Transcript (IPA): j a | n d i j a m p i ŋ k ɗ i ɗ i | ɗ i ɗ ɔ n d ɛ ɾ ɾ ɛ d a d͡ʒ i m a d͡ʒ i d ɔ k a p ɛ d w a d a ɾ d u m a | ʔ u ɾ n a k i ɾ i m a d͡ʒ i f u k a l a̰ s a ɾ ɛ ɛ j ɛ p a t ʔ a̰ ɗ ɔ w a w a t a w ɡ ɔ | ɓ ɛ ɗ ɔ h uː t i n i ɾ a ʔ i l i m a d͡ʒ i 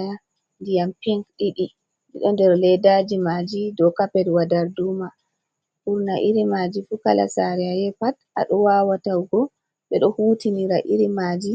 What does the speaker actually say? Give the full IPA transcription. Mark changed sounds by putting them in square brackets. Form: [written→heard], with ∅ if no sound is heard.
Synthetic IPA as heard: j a | n d i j a m p i ŋ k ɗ i ɗ i | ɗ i ɗ ɔ n d ɛ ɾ [ɾ→l] ɛ d a d͡ʒ i m a d͡ʒ i d ɔ k a p ɛ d w a d a ɾ d u m a | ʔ u ɾ n a [k→ʔ] i ɾ i m a d͡ʒ i f u k a l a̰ s a ɾ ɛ [ɛ→a] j ɛ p a t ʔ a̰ ɗ ɔ w a w a t a w ɡ ɔ | ɓ ɛ ɗ ɔ h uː t i n i ɾ a ʔ i [l→ɾ] i m a d͡ʒ i